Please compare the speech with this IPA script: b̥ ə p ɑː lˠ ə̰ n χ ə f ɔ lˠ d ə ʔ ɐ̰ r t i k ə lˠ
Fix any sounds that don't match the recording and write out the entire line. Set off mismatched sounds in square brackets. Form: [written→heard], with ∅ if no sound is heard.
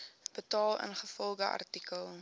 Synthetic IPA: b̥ ə [p→t] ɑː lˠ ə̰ n χ ə f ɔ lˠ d ə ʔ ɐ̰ r t i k ə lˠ